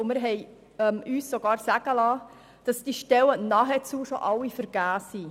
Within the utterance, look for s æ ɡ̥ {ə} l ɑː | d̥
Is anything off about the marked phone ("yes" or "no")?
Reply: no